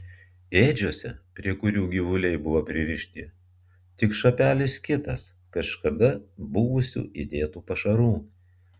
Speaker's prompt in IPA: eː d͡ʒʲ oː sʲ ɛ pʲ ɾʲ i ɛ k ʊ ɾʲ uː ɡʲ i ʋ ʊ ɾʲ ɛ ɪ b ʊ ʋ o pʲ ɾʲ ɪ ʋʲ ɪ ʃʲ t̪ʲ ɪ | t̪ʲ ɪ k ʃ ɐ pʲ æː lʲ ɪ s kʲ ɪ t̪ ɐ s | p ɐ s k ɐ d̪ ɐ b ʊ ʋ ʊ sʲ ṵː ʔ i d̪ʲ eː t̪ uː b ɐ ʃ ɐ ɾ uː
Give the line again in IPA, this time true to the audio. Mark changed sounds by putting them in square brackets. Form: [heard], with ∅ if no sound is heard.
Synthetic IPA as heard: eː d͡ʒʲ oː sʲ ɛ pʲ ɾʲ i ɛ k ʊ ɾʲ uː ɡʲ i ʋ ʊ [lʲ] ɛ ɪ b ʊ ʋ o pʲ ɾʲ ɪ ʋʲ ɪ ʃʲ t̪ʲ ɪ | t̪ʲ ɪ k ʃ ɐ pʲ æː lʲ ɪ s kʲ ɪ t̪ ɐ s | [k] ɐ [ʃ] k ɐ d̪ ɐ b ʊ ʋ ʊ sʲ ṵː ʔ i d̪ʲ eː t̪ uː [p] ɐ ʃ ɐ ɾ uː